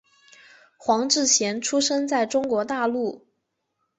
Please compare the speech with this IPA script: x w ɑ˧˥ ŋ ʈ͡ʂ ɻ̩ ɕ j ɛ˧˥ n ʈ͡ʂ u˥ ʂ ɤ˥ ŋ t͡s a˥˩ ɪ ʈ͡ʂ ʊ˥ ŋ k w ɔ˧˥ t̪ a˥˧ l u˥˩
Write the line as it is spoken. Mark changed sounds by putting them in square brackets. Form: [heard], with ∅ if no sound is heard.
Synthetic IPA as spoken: x w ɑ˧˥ ŋ ʈ͡ʂ ɻ̩ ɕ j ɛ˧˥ n [ʈ͡ʂʰ] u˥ ʂ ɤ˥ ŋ t͡s a˥˩ ɪ ʈ͡ʂ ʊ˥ ŋ k w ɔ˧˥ t̪ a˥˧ l u˥˩